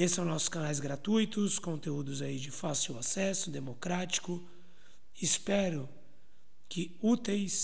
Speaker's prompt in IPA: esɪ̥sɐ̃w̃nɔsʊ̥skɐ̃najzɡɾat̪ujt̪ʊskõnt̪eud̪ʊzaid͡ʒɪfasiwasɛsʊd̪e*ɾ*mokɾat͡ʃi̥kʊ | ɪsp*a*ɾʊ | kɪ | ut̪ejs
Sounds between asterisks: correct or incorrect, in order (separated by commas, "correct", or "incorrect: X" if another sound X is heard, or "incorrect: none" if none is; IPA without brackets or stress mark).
incorrect: none, incorrect: ɛ